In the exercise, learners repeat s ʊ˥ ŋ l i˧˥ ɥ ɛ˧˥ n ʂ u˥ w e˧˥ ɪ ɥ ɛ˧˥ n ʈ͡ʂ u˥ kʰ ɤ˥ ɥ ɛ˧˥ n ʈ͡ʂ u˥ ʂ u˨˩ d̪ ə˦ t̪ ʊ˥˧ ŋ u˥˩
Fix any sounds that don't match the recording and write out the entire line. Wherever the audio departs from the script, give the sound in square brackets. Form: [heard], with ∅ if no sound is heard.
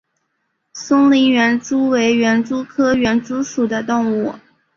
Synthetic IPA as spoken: s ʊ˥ ŋ l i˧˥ ɥ ɛ˧˥ n [ʈ͡ʂ] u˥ w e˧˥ ɪ ɥ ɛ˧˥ n ʈ͡ʂ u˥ kʰ ɤ˥ ɥ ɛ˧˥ n ʈ͡ʂ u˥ ʂ u˨˩ d̪ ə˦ t̪ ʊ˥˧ ŋ u˥˩